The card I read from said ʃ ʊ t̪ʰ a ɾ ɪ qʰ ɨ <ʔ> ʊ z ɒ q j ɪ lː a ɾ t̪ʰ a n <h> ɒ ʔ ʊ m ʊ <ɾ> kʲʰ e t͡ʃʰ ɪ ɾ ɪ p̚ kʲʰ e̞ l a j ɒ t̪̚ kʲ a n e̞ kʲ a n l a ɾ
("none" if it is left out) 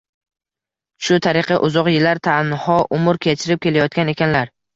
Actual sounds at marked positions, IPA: ʔ, h, ɾ

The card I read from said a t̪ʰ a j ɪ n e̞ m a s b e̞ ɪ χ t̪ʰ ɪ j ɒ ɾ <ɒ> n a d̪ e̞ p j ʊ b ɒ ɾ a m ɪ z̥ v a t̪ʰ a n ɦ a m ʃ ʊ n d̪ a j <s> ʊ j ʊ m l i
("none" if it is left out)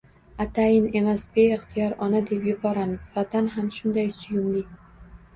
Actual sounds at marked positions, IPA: ɒ, s

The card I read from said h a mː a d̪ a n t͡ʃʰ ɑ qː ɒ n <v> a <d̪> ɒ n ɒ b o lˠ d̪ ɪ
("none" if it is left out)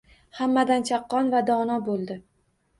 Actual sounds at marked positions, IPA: v, d̪

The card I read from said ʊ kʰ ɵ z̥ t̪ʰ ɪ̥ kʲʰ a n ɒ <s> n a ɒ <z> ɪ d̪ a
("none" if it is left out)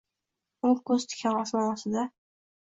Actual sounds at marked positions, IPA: s, s

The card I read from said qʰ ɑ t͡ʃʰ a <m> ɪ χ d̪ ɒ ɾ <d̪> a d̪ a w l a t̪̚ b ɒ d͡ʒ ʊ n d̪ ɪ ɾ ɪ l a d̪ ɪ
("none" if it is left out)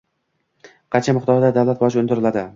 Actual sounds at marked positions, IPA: m, d̪

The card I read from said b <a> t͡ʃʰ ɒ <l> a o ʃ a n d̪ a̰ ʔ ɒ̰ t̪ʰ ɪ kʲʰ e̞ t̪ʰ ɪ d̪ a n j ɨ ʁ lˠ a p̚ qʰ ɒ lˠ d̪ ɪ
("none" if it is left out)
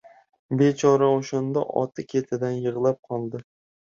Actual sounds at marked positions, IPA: e, ɾ

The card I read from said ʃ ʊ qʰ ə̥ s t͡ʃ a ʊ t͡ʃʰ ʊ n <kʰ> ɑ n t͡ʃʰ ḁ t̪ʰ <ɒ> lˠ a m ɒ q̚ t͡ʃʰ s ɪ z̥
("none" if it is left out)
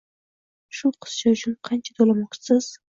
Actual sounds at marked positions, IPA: qʰ, o

